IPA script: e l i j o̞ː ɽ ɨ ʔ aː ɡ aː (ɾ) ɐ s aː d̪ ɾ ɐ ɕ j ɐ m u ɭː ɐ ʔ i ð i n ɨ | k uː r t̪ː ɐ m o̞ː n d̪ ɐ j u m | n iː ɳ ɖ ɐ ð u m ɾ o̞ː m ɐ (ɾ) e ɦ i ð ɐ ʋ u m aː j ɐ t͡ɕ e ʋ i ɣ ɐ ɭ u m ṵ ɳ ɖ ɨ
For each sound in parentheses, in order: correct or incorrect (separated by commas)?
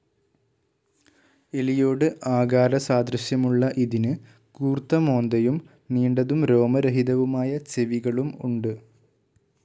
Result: correct, correct